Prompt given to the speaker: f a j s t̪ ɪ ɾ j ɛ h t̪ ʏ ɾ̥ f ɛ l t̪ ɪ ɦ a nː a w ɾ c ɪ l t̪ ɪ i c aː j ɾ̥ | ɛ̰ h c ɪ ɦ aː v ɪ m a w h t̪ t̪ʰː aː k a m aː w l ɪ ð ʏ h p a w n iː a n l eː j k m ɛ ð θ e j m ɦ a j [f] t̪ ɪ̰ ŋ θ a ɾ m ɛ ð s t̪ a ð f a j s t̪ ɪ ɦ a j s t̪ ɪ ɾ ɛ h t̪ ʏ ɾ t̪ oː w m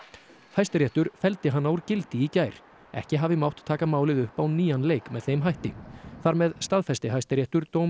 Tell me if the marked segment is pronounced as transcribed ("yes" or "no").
no